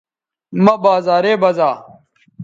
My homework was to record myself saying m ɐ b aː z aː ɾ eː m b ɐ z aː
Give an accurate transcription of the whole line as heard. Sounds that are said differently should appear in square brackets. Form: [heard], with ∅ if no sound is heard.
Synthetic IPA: m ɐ b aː z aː ɾ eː [∅] b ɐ z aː